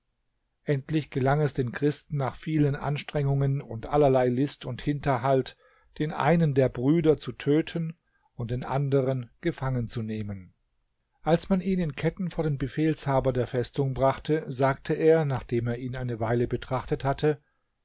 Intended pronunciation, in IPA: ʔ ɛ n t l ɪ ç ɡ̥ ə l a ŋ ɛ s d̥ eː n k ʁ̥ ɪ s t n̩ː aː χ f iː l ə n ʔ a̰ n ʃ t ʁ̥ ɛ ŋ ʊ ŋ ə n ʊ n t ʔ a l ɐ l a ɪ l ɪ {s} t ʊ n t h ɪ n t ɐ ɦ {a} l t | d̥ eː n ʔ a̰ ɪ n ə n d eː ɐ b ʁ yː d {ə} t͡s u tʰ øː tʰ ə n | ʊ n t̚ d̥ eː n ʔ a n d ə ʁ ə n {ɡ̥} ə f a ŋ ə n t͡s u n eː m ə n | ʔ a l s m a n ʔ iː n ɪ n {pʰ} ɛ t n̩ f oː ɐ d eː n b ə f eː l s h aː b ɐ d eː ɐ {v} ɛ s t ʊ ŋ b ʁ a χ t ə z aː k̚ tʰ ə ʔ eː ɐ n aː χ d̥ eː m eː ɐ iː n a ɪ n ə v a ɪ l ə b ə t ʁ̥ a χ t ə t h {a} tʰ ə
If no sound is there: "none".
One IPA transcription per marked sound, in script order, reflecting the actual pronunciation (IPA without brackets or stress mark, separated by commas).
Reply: s, a, ɐ, ɡ̥, kʰ, f, a